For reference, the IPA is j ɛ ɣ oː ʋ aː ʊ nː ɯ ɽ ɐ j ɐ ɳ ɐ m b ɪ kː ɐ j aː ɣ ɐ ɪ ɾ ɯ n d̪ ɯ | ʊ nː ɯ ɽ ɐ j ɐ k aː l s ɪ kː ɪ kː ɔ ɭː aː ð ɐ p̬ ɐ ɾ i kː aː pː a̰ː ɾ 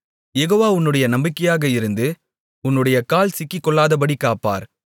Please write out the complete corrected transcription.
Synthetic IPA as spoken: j ɛ ɣ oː ʋ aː ʊ nː ɯ ɽ ɐ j ɐ n ɐ m b ɪ kː ɐ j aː ɣ ɐ ɪ ɾ ɯ n d̪ ɯ | ʊ nː ɯ ɽ ɐ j ɐ k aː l s ɪ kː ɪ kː ɔ ɭː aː ð ɐ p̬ ɐ ɽ i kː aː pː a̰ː ɾ